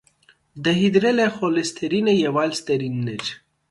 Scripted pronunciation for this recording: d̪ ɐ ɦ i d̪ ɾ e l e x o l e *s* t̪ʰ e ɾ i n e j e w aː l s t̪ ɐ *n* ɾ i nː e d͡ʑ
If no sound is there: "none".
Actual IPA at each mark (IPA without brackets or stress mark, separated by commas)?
s, none